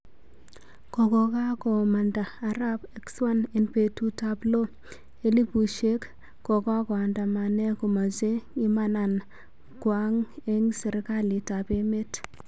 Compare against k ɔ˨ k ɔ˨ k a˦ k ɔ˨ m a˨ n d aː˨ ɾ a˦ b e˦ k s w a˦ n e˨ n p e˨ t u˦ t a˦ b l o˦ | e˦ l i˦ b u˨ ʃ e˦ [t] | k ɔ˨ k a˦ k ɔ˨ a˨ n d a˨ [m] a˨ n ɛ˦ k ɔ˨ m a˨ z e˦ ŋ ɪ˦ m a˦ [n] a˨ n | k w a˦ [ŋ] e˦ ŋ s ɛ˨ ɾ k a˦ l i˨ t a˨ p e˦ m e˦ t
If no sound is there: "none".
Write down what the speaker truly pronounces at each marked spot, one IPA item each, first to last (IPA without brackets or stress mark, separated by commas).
k, m, n, ŋ